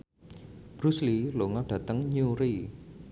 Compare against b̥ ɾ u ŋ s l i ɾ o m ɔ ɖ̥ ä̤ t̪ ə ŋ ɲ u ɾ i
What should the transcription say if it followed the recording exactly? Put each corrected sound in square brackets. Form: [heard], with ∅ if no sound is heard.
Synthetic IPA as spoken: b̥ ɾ u [∅] s l i [l] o [ŋ] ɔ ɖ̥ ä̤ t̪ ə ŋ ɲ u ɾ i

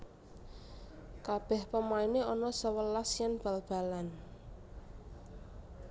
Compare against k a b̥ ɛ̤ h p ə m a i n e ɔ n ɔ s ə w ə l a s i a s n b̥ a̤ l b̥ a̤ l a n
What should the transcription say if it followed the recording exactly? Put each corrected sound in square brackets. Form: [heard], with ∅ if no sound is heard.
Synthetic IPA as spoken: k a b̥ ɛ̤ h p ə m a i n e ɔ n ɔ s ə w ə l a s [j] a [∅] n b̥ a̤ l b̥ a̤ l a n

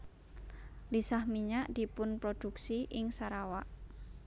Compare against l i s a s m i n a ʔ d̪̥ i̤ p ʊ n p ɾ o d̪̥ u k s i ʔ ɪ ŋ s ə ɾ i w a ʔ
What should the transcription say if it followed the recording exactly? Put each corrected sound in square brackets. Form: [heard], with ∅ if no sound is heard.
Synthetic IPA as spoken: l i s a [h] m i [ɲ] a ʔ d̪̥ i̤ p ʊ n p ɾ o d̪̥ u k s i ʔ ɪ ŋ s [a] ɾ [a] w a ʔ

